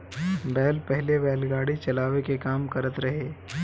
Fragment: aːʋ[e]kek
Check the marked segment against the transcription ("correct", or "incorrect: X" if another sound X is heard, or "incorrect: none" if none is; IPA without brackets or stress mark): correct